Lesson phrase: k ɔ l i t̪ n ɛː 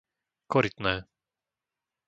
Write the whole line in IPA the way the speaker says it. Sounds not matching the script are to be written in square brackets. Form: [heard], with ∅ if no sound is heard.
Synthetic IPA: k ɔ [ɾ] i t̪ n ɛː

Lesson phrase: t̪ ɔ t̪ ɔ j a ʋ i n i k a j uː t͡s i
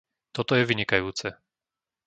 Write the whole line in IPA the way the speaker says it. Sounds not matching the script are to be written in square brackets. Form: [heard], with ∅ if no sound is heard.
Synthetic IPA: t̪ ɔ t̪ ɔ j [ɛ] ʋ i [ɲ] i k a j uː t͡s [ɛ]

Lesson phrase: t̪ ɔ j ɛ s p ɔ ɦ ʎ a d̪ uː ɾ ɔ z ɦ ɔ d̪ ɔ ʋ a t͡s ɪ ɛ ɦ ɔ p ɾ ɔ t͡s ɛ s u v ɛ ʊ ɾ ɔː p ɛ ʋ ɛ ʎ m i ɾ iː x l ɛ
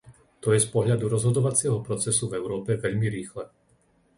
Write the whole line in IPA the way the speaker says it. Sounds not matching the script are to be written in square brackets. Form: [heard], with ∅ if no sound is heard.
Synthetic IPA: t̪ ɔ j ɛ s p ɔ ɦ ʎ a d̪ [u] ɾ ɔ z ɦ ɔ d̪ ɔ ʋ a t͡s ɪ ɛ ɦ ɔ p ɾ ɔ t͡s ɛ s u v ɛ ʊ ɾ ɔː p ɛ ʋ ɛ ʎ m i ɾ iː x l ɛ

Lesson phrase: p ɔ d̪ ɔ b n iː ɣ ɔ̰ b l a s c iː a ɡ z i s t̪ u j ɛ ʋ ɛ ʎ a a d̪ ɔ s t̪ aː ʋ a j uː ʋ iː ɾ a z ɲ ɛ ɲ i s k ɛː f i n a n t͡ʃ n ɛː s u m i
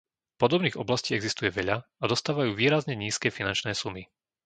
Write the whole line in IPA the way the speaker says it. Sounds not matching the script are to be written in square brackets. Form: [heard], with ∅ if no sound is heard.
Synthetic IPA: p ɔ d̪ ɔ b n iː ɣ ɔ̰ b l a s c iː [ɛ] ɡ z i s t̪ u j ɛ ʋ ɛ ʎ a a d̪ ɔ s t̪ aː ʋ a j uː ʋ iː ɾ a z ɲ ɛ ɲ [iː] s k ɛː f i n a n t͡ʃ n ɛː s u m i

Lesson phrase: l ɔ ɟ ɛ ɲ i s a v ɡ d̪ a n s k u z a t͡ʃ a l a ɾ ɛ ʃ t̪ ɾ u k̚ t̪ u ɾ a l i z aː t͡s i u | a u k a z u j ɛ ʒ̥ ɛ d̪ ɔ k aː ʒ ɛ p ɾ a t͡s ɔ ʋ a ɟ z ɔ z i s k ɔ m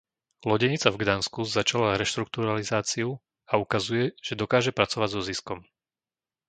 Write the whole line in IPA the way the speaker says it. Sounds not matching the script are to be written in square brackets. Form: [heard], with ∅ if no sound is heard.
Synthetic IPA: l ɔ ɟ ɛ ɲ i [t͡s] a v ɡ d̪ a n s k u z a t͡ʃ a l a ɾ ɛ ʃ t̪ ɾ u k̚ t̪ u ɾ a l i z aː t͡s i u | a u k a z u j ɛ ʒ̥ ɛ d̪ ɔ k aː ʒ ɛ p ɾ a t͡s ɔ ʋ a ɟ z ɔ z i s k ɔ m

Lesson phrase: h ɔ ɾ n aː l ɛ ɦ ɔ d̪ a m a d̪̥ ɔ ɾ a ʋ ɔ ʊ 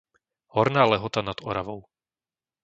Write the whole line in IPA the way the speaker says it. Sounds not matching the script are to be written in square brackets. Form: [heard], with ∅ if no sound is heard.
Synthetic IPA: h ɔ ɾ n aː l ɛ ɦ ɔ [t̪] a [n] a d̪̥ ɔ ɾ a ʋ ɔ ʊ

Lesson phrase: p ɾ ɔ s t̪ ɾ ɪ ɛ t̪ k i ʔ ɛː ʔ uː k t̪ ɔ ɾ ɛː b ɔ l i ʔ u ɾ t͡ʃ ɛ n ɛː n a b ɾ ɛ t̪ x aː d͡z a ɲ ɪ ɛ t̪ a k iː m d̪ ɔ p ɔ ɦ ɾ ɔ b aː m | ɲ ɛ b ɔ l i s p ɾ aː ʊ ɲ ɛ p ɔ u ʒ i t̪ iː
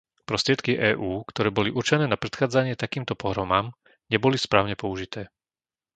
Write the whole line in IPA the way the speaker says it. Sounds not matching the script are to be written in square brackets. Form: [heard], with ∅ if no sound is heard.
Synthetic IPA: p ɾ ɔ s t̪ ɾ ɪ ɛ t̪ k i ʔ ɛː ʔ uː k t̪ ɔ ɾ ɛː b ɔ l i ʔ u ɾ t͡ʃ ɛ n ɛː n a [p] ɾ ɛ t̪ x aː d͡z a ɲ ɪ ɛ t̪ a k iː m [t̪] ɔ p ɔ ɦ ɾ ɔ [m] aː m | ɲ ɛ b ɔ l i s p ɾ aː ʊ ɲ ɛ p ɔ u ʒ i t̪ [ɛː]

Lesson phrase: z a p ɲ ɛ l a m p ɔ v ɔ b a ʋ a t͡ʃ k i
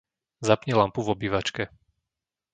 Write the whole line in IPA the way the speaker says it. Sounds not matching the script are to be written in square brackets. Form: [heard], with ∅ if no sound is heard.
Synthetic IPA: z a p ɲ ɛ l a m p [u] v ɔ b [i] ʋ a t͡ʃ k [ɛ]

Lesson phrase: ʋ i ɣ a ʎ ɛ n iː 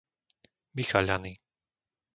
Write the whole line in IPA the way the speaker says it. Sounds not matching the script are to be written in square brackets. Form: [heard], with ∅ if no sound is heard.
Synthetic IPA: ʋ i [x] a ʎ [a] n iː

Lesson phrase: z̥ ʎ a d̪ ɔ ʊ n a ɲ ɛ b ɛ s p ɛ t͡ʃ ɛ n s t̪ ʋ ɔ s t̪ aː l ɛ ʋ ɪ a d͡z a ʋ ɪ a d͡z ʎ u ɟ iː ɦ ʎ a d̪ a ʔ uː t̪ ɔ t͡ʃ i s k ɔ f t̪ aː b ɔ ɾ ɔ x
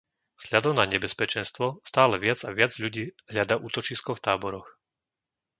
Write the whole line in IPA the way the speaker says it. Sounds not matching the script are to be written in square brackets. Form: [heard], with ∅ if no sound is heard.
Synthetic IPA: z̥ ʎ a d̪ ɔ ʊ n a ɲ ɛ b ɛ s p ɛ t͡ʃ ɛ n s t̪ ʋ ɔ s t̪ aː l ɛ ʋ ɪ a d͡z a ʋ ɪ a d͡z ʎ u ɟ iː ɦ ʎ a d̪ a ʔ uː t̪ ɔ t͡ʃ i s k ɔ f t̪ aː b ɔ ɾ ɔ x

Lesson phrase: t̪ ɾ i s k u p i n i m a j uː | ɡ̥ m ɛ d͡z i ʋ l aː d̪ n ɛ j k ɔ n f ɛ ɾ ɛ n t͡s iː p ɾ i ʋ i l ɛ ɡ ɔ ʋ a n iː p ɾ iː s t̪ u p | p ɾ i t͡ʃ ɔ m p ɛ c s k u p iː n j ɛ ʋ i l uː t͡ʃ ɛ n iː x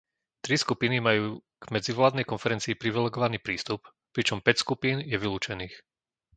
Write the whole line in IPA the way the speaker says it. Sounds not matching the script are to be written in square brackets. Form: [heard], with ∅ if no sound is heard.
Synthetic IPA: t̪ ɾ i s k u p i n i m a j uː | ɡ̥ m ɛ d͡z i ʋ l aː d̪ n ɛ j k ɔ n f ɛ ɾ ɛ n t͡s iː p ɾ i ʋ i l ɛ ɡ ɔ ʋ a n iː p ɾ iː s t̪ u p | p ɾ i t͡ʃ ɔ m p ɛ c s k u p iː n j ɛ ʋ i l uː t͡ʃ ɛ n iː x

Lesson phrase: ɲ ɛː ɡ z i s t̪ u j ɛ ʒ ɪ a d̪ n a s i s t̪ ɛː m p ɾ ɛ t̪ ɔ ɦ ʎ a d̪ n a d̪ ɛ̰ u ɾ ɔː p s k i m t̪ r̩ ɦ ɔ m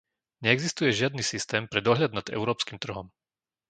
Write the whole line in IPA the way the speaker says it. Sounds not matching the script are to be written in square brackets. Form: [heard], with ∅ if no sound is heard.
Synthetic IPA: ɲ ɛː ɡ z i s t̪ u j ɛ ʒ ɪ a d̪ n [i] s i s t̪ ɛː m p ɾ ɛ [d̪] ɔ ɦ ʎ a d̪ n a d̪ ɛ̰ [ʊ] ɾ ɔː p s k i m t̪ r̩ ɦ ɔ m

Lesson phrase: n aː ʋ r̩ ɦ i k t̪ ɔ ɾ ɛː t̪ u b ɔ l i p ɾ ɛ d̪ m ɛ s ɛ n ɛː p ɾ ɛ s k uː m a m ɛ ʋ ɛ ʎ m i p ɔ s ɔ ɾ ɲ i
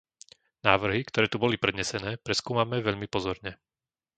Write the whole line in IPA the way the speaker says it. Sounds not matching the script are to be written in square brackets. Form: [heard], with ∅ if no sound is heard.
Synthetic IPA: n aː ʋ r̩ ɦ i k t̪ ɔ ɾ ɛː t̪ u b ɔ l i p ɾ ɛ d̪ [ɲ] ɛ s ɛ n ɛː p ɾ ɛ s k uː m a m ɛ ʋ ɛ ʎ m i p ɔ [z] ɔ ɾ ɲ [ɛ]

